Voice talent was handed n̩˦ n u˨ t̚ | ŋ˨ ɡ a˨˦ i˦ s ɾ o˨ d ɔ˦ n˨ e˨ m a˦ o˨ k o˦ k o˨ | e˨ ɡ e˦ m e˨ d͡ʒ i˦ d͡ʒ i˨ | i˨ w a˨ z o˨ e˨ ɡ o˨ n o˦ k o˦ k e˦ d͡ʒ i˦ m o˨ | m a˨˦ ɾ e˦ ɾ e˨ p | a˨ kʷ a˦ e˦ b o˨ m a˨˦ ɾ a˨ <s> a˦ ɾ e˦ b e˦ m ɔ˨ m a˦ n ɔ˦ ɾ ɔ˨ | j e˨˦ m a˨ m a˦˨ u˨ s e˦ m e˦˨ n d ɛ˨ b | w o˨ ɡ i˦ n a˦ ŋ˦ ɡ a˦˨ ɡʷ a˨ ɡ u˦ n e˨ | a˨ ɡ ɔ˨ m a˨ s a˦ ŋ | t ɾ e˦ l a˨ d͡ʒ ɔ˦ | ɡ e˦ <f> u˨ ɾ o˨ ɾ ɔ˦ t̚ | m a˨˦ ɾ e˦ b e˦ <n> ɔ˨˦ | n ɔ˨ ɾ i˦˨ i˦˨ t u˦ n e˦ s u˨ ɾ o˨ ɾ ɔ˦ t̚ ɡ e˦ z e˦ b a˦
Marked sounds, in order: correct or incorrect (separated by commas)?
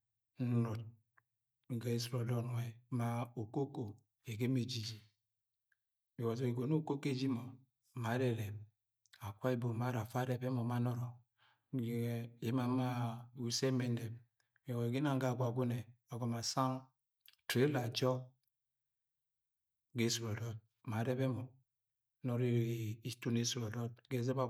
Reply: incorrect, incorrect, incorrect